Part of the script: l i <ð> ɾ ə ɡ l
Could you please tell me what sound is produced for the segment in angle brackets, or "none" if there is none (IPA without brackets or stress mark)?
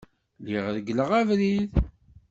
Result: ʁ